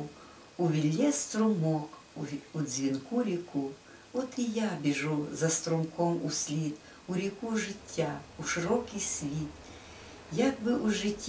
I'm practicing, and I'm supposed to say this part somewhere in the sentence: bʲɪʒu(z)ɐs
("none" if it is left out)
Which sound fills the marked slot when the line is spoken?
z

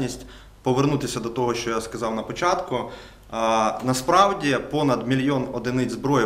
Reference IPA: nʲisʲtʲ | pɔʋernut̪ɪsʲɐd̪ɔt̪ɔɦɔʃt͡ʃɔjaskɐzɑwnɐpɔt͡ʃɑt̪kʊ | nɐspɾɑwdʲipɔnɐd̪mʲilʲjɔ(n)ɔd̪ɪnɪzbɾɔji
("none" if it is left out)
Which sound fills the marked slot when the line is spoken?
n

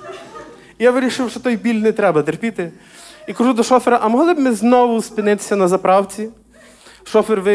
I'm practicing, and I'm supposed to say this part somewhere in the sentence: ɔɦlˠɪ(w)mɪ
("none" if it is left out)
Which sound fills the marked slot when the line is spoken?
b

